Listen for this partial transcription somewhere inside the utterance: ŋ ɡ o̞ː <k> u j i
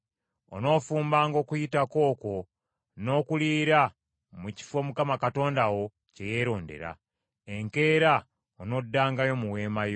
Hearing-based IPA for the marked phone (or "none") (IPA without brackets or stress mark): k